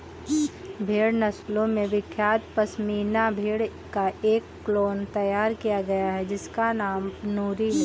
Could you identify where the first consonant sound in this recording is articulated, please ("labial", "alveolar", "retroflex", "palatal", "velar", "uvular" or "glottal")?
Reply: labial